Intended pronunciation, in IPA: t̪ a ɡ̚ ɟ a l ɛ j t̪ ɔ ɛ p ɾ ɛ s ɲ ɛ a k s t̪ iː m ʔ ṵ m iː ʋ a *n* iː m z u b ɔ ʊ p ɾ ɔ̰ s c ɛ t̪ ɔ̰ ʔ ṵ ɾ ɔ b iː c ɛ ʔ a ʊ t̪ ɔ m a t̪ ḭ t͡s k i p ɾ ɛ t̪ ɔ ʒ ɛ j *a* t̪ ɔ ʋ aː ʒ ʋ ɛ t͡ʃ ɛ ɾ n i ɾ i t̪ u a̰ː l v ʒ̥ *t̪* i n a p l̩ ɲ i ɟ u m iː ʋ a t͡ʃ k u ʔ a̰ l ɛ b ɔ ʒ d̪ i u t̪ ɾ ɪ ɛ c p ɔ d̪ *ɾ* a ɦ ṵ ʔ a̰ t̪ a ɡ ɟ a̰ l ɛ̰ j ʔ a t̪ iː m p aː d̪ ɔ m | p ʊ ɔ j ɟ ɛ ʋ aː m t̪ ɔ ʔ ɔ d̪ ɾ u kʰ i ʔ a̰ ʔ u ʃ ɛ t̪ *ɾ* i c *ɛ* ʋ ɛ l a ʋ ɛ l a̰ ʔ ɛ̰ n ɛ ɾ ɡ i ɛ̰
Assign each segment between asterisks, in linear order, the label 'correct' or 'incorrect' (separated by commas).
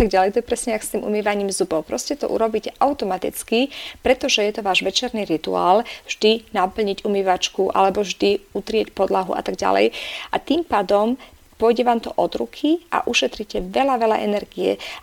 incorrect, incorrect, incorrect, incorrect, correct, correct